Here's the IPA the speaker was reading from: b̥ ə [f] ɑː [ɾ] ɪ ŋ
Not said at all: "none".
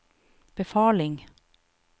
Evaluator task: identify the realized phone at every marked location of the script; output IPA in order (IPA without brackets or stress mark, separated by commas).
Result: f, l